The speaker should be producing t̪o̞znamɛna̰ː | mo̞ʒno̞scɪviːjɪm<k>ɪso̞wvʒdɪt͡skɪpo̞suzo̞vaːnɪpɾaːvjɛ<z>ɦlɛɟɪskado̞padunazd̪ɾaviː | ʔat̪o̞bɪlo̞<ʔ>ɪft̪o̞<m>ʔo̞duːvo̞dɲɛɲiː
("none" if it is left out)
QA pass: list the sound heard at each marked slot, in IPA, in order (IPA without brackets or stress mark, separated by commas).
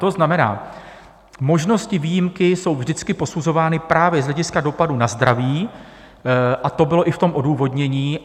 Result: k, z, ʔ, m